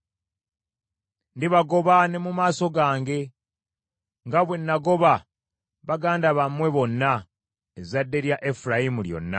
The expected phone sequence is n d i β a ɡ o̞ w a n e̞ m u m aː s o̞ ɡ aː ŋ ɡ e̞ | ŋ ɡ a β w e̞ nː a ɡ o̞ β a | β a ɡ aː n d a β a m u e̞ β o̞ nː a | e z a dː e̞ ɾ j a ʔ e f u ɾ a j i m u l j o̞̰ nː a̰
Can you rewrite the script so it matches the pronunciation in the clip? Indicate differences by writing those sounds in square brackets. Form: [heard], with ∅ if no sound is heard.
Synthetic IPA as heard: n d i β a ɡ o̞ [β] a n e̞ m u m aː s o̞ ɡ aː ŋ ɡ e̞ | ŋ ɡ a β w e̞ nː a ɡ o̞ β a | β a ɡ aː n d a β a m [w] e̞ β o̞ nː a | e z a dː e̞ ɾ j a ʔ e f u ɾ a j i m u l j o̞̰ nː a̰